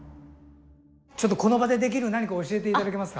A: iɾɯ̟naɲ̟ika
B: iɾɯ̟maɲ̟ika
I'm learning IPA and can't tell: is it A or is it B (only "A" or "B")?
A